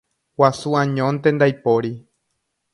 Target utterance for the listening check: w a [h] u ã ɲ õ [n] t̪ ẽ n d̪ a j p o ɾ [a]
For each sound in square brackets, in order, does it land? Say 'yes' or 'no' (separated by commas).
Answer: no, yes, no